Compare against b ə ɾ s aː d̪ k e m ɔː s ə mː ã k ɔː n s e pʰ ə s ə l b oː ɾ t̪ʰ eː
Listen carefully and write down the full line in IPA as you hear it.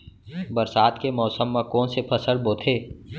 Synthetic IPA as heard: b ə ɾ s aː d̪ k e m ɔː s ə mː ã k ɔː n s e pʰ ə s ə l b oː t̪ʰ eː